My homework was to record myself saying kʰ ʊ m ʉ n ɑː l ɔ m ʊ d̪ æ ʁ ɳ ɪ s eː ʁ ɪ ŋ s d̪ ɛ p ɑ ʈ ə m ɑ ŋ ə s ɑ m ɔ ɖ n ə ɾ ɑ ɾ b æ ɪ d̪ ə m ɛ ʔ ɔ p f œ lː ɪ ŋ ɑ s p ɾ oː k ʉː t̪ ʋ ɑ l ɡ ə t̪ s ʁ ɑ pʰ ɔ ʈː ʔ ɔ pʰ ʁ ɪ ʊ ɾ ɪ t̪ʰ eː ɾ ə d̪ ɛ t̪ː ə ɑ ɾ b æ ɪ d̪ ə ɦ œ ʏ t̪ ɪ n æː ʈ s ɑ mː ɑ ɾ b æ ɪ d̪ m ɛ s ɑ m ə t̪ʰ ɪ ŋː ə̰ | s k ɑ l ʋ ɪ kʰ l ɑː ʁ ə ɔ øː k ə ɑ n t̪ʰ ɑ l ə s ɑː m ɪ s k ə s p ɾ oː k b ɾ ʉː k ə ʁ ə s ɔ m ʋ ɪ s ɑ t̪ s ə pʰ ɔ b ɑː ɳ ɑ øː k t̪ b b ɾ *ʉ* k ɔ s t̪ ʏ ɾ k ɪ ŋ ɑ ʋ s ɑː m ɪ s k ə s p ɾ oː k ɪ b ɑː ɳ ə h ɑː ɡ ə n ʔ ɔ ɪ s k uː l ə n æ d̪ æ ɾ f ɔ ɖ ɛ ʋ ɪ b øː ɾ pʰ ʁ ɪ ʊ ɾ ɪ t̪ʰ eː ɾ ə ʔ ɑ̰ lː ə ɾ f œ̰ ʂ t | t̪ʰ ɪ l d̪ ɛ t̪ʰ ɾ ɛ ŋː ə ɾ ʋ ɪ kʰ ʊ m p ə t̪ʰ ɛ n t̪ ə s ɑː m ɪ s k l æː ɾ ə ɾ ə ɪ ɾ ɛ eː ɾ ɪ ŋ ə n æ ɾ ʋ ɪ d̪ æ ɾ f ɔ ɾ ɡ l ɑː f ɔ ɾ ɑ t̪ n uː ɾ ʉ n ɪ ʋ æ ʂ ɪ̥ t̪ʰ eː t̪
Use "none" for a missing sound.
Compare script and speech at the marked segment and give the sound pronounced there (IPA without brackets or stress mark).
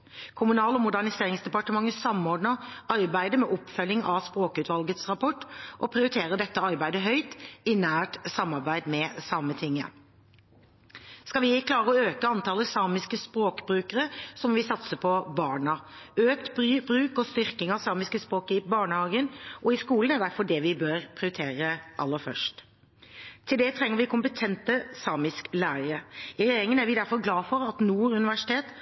ʉː